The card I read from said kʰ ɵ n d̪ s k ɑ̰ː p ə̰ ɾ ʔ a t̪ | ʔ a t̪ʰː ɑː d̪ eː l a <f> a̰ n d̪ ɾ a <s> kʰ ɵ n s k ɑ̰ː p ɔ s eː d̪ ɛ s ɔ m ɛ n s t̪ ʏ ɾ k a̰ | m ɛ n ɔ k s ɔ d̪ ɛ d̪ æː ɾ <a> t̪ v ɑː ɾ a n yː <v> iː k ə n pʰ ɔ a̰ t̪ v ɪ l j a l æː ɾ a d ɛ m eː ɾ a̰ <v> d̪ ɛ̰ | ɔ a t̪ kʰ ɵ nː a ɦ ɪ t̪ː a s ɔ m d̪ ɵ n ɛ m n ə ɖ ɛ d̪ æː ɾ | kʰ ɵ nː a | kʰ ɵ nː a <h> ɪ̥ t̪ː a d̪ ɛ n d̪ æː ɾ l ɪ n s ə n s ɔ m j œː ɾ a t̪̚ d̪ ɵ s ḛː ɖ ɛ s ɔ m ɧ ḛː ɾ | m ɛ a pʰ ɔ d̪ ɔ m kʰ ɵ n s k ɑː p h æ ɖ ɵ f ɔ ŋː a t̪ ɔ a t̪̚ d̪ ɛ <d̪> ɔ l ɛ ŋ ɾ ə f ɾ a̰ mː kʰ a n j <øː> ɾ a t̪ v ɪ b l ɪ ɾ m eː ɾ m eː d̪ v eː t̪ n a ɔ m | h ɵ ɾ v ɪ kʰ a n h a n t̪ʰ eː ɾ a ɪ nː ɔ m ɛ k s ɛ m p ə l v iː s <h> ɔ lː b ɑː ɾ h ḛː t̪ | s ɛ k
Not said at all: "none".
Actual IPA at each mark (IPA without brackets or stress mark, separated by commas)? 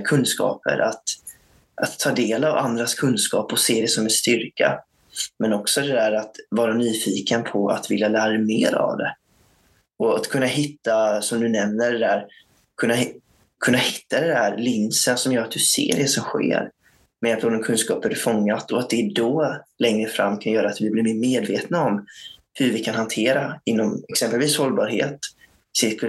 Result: v, s, a, f, v, h, d̪, œː, h